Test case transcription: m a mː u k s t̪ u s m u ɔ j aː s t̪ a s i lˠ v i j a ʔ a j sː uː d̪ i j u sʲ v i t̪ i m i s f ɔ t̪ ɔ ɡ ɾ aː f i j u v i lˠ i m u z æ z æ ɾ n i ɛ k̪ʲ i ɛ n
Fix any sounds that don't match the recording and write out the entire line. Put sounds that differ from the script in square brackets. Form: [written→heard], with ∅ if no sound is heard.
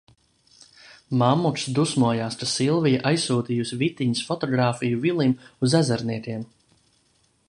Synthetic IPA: m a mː u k s [t̪→d̪] u s m u ɔ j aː s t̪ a s i lˠ v i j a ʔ a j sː uː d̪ i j u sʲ v i t̪ i [m→ɲ] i s f ɔ t̪ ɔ ɡ ɾ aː f i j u v i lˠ i m u z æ z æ ɾ n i ɛ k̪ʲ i ɛ [n→m]

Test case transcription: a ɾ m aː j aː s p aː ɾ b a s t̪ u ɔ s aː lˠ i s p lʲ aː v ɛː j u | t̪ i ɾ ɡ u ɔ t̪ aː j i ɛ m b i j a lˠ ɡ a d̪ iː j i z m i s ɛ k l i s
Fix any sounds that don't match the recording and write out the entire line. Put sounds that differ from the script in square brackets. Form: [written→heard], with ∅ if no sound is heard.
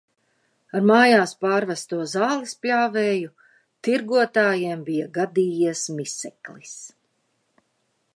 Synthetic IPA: a ɾ m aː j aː s p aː ɾ [b→v] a s t̪ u ɔ [s→z] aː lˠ i s p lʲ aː v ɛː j u | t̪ i ɾ ɡ u ɔ t̪ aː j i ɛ m b i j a [lˠ→∅] ɡ a d̪ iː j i [z→s] m i s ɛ k l i s

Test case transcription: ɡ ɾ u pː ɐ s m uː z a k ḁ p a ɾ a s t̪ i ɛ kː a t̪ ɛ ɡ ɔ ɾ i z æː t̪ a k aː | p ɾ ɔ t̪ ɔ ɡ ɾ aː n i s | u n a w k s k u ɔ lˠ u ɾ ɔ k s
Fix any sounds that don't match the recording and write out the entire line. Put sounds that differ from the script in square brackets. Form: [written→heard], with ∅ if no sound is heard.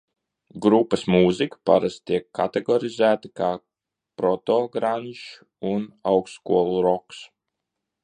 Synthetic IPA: ɡ ɾ u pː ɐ s m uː z [a→i] k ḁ p a ɾ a s t̪ i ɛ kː a t̪ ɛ ɡ ɔ ɾ i z æː t̪ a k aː | p ɾ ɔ t̪ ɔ ɡ ɾ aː n i [s→ʃ] | u n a w k s k u ɔ lˠ u ɾ ɔ k s

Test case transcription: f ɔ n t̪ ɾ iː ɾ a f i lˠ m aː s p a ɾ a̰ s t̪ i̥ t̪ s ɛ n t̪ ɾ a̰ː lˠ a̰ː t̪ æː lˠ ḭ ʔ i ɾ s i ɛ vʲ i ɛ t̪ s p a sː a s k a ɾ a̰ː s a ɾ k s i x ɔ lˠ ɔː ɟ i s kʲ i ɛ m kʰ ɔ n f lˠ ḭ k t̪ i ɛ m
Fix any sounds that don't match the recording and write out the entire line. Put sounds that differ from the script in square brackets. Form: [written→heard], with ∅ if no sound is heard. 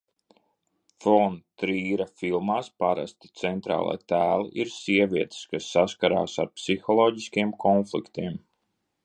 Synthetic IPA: f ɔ n t̪ ɾ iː ɾ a f i lˠ m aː s p a ɾ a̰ s t̪ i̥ t̪ s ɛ n t̪ ɾ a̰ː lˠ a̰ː t̪ æː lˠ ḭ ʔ i ɾ s i ɛ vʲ i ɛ t̪ s [p→k] a sː a s k a ɾ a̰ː s a ɾ [k→p] s i x ɔ lˠ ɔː ɟ i s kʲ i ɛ m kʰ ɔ n f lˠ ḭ k t̪ i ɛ m

